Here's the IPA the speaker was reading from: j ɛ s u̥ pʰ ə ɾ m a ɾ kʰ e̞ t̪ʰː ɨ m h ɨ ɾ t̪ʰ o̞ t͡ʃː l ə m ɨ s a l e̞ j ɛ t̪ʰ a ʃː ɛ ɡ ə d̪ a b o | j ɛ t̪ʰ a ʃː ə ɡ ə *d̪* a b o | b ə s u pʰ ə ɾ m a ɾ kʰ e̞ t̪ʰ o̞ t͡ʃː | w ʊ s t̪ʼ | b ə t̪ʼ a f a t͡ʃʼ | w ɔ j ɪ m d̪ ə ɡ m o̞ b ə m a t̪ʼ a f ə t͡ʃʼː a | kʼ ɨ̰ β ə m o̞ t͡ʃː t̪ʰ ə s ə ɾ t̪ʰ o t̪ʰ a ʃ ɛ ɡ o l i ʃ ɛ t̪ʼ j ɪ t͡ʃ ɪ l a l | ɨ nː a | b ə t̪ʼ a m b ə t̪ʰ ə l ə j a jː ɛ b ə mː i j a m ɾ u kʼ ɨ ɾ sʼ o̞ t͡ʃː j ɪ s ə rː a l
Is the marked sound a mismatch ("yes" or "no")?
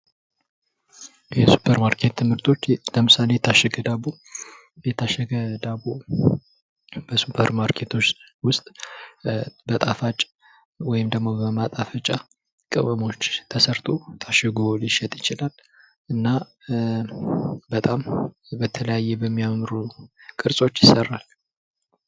no